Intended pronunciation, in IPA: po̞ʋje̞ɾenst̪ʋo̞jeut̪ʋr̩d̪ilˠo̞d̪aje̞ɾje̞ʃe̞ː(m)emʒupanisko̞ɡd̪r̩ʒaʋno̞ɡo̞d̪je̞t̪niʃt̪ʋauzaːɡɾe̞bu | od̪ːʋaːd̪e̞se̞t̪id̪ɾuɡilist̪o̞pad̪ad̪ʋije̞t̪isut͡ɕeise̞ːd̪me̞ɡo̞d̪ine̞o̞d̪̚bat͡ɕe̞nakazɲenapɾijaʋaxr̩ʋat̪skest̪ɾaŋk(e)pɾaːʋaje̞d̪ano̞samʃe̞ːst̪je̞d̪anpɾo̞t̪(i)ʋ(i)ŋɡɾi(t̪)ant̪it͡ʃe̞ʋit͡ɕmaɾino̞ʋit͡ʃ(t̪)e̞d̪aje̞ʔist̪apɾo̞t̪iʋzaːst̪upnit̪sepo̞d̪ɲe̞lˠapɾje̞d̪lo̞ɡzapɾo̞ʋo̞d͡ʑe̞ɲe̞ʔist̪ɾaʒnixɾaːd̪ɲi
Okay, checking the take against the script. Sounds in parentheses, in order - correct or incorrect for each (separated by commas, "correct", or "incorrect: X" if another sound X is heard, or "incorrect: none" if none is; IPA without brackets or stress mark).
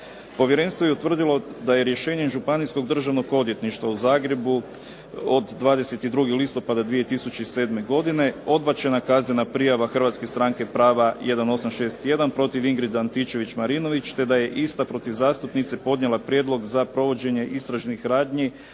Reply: incorrect: ɲ, correct, correct, correct, incorrect: d̪, correct